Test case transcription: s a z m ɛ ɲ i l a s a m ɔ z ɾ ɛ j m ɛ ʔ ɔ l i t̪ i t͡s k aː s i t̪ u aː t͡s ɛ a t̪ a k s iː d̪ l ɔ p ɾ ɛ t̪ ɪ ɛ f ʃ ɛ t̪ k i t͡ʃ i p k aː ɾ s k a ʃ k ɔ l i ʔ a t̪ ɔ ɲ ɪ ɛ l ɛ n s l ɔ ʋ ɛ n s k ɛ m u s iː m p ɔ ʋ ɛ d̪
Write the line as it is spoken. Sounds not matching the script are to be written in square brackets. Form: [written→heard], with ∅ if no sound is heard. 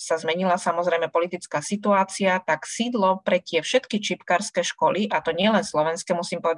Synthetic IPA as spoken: s a z m ɛ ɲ i l a s a m ɔ z ɾ ɛ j m ɛ [ʔ→p] ɔ l i t̪ i t͡s k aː s i t̪ u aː t͡s [ɛ→i] a t̪ a k s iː d̪ l ɔ p ɾ ɛ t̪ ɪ ɛ f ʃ ɛ t̪ k i t͡ʃ i p k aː ɾ s k [a→ɛ] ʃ k ɔ l i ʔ a t̪ ɔ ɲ ɪ ɛ l ɛ n s l ɔ ʋ ɛ n s k ɛ m u s iː m p ɔ ʋ ɛ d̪